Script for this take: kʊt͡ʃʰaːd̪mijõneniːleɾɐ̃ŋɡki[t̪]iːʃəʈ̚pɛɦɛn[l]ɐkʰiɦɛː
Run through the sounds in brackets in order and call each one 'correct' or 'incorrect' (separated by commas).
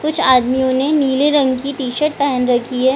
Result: correct, incorrect